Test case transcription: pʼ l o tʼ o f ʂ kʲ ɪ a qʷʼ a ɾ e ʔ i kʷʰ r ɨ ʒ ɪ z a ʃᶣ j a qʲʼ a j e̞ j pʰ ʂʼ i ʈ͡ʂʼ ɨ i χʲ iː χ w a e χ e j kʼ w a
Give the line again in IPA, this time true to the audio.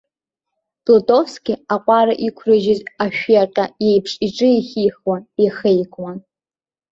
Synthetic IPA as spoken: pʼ l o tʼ o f s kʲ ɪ a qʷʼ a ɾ a ʔ i kʷʰ r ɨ ʒ ɪ z a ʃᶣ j a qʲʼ a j e̞ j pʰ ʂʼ i ʈ͡ʂʼ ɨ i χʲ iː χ w a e χ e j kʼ w a

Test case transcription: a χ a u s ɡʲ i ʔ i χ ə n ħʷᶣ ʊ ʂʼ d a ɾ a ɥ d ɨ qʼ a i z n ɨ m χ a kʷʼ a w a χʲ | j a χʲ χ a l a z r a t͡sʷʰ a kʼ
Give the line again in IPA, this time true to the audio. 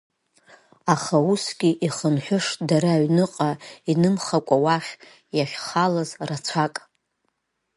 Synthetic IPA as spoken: a χ a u s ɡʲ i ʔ i χ ə n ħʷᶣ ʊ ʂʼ d a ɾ a ɥ n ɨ qʼ a i n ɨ m χ a kʷʼ a w a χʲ | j a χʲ χ a l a z r a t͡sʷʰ a kʼ

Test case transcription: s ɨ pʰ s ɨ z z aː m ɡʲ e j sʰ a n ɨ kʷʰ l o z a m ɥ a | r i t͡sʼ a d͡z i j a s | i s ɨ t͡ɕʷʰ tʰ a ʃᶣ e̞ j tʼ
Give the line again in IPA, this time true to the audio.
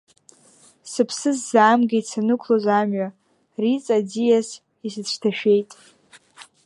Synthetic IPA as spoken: s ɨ pʰ s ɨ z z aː m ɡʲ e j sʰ a n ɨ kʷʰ l o z a m ɥ a | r i t͡sʼ a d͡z i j a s | i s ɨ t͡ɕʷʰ tʰ a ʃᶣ e̞ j tʼ

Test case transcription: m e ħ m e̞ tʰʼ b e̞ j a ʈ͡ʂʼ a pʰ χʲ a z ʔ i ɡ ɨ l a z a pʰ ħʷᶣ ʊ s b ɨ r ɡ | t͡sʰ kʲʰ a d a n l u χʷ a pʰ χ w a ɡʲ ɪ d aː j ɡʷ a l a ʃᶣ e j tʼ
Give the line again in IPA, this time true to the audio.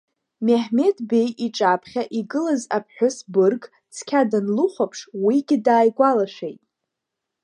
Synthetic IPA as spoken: m e ħ m e̞ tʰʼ b e̞ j i ʈ͡ʂʼ a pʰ χʲ a ʔ i ɡ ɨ l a z a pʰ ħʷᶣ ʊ s b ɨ r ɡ | t͡sʰ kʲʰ a d a n l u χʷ a pʰ ʂ w i ɡʲ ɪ d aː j ɡʷ a l a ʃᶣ e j tʼ

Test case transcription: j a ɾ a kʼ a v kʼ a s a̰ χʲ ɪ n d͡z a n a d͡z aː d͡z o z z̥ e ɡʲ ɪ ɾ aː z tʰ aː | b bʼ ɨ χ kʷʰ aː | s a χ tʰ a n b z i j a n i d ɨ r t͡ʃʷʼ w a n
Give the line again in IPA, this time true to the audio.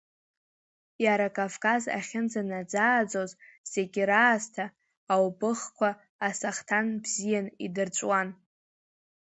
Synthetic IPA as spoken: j a ɾ a kʼ a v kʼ a z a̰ χʲ ɪ n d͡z a n a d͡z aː d͡z o z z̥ e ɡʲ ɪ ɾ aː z tʰ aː | w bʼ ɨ χ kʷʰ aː | s a χ tʰ a n b z i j a n i d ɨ r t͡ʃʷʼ w a n

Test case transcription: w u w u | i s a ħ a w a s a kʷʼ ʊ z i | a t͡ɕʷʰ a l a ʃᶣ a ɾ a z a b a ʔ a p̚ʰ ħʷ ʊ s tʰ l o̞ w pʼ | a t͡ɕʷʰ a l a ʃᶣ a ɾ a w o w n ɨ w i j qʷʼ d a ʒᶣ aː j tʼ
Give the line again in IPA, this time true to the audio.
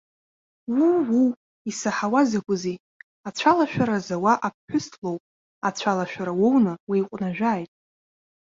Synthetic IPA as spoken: w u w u | i s a ħ a w a z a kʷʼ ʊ z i | a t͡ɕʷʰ a l a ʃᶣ a ɾ a z a w a ʔ a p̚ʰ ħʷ ʊ s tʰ l o̞ w pʼ | a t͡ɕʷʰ a l a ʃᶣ a ɾ a w o w n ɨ w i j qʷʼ n a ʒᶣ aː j tʼ

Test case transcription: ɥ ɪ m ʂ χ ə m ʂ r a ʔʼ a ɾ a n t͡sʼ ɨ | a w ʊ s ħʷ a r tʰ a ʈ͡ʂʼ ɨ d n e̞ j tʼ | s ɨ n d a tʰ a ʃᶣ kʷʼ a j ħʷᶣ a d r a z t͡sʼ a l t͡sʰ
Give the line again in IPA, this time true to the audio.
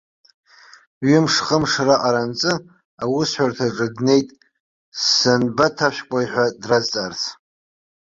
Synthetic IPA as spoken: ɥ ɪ m ʂ χ ə m ʂ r a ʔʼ a ɾ a n t͡sʼ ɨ | a w ʊ s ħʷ a r tʰ a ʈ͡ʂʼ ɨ d n e̞ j tʼ | s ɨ n b a tʰ a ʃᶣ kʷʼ a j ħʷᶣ a d r a z t͡sʼ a r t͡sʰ

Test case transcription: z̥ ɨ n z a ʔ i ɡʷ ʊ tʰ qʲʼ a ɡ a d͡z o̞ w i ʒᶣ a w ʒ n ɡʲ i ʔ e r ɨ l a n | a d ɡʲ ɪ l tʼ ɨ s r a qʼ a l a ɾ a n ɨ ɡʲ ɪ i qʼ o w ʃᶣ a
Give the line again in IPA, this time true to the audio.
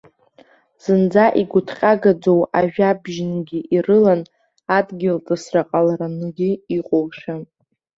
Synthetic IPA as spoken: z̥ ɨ n d͡z a ʔ i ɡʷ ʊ tʰ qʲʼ a ɡ a d͡z o̞ w a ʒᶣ a b ʒ n ɡʲ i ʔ i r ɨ l a n | a d ɡʲ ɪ l tʼ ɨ s r a qʼ a l a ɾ a n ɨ ɡʲ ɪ i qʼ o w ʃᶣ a

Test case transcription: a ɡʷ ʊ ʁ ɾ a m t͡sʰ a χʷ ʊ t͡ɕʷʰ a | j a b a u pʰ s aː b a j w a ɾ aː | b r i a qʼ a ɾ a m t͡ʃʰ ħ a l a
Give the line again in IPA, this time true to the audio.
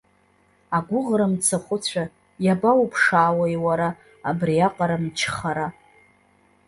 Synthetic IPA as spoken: a ɡʷ ʊ ʁ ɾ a m t͡sʰ a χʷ ʊ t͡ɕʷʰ a | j a b a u pʰ ʂ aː w a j w a ɾ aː | b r i a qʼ a ɾ a m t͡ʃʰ χ a ɾ a

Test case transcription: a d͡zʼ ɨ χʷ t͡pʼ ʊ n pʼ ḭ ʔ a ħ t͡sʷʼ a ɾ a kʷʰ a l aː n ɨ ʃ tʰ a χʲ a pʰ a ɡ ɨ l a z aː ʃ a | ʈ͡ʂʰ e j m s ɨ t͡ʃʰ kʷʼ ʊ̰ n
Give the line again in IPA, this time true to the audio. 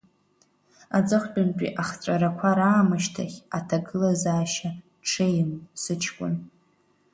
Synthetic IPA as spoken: a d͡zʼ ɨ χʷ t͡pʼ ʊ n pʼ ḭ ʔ a χ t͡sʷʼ a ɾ a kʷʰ a ɾ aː m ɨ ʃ tʰ a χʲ a tʰ a ɡ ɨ l a z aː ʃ a | ʈ͡ʂʰ e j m s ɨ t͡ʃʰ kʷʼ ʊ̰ n

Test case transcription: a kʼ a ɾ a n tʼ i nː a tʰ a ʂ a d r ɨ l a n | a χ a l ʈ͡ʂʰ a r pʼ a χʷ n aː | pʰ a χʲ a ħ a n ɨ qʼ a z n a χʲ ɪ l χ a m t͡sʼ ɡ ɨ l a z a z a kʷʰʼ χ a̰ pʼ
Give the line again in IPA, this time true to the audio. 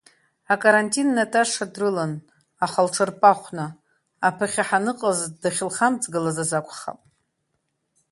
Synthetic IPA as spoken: a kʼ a ɾ a n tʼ i nː a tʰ a ʂ a d r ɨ l a n | a χ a l ʈ͡ʂʰ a r pʼ a χʷ n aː | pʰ a χʲ a ħ a n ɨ qʼ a z d a χʲ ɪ l χ a m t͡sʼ ɡ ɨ l a z a z a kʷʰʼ χ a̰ pʼ

